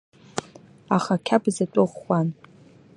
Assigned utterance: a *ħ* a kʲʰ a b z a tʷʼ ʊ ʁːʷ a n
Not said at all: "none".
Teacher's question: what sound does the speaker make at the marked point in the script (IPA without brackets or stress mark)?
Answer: χ